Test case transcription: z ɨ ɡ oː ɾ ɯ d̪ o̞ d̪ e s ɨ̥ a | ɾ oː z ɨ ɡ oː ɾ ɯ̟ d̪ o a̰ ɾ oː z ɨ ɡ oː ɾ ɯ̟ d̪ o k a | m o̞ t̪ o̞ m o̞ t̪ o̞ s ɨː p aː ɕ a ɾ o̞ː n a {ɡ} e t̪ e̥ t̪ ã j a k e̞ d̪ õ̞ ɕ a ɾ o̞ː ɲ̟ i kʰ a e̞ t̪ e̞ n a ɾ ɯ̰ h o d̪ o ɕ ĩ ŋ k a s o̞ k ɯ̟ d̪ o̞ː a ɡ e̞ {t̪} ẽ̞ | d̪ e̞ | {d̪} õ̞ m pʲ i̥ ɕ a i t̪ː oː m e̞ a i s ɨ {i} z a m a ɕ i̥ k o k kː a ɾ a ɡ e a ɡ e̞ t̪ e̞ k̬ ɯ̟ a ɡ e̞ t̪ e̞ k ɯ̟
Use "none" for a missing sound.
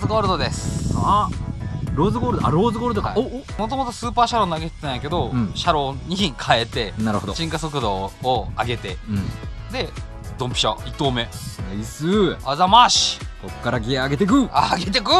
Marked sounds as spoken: ɡ, t̪, d̪, a

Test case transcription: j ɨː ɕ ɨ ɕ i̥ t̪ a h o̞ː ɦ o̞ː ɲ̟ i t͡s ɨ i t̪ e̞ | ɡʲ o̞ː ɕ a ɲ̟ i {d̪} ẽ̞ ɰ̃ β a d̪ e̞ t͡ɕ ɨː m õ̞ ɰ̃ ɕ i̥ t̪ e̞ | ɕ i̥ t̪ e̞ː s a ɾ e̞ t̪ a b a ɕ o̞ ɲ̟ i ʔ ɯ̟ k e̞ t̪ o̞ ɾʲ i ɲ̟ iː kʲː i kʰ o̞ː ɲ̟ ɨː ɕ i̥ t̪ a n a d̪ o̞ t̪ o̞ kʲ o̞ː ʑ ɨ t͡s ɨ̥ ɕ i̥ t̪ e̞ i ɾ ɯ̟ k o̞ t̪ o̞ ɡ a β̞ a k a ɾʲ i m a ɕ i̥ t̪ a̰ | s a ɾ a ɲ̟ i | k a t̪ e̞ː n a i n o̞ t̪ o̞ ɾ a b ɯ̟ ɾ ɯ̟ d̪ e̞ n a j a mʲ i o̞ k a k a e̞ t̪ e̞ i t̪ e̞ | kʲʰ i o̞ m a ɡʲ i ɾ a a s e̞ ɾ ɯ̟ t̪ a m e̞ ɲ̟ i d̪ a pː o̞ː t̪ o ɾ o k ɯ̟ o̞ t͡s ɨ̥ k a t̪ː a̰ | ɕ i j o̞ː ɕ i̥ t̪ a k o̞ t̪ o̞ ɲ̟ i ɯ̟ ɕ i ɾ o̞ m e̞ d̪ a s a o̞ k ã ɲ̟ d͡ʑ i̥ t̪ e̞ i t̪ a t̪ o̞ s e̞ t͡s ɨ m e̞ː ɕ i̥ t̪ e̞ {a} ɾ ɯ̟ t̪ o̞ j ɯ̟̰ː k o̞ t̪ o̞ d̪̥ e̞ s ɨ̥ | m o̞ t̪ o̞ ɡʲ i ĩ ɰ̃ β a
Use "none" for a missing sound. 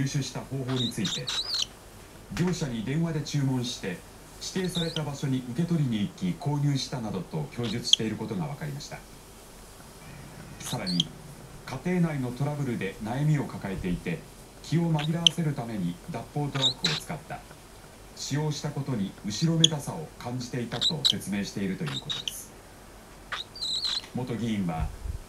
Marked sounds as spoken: d̪, i

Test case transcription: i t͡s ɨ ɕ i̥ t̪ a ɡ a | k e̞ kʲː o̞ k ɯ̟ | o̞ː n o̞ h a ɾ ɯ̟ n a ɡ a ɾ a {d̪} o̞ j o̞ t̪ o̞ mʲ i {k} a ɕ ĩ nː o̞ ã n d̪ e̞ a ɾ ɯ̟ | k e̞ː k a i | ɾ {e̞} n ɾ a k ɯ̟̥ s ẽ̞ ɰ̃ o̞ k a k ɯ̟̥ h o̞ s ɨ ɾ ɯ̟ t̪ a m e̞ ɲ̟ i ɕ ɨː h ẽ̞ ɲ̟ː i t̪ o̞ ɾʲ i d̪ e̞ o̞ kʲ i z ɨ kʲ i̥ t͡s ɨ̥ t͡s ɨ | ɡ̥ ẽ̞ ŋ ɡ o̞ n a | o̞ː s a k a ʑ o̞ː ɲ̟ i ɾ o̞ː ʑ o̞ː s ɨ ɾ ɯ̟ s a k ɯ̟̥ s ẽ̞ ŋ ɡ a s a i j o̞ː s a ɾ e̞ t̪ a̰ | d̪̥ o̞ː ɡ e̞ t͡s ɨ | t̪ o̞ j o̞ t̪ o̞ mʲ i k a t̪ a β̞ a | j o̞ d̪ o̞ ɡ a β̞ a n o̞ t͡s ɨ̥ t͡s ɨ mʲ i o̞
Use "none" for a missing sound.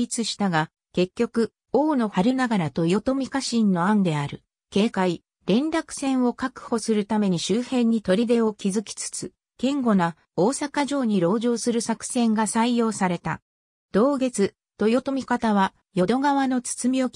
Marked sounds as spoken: t̪, k, ẽ̞

